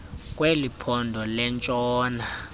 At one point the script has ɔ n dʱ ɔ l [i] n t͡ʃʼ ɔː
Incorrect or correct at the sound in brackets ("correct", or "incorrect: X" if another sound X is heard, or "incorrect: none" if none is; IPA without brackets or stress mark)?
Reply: incorrect: ɛ